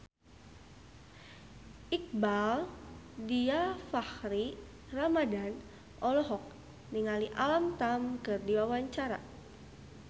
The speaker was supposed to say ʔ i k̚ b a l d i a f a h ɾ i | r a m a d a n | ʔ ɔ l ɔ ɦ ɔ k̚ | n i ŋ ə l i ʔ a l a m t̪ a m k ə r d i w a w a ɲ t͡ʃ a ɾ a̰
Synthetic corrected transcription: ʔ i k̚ b a l d i a f a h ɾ i | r a m a d a n | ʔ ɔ l ɔ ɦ ɔ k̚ | n i ŋ a l i ʔ a l a m t̪ a m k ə r d i w a w a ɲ t͡ʃ a ɾ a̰